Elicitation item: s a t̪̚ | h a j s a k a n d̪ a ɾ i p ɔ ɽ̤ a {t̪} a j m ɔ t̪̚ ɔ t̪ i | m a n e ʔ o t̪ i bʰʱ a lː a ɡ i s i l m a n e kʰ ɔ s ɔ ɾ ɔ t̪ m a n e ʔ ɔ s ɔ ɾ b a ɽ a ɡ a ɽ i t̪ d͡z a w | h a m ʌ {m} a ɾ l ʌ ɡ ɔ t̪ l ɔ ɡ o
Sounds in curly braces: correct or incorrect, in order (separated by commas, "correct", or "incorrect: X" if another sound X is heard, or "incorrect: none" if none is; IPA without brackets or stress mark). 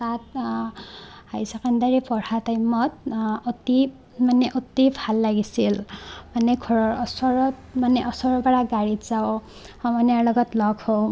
correct, incorrect: n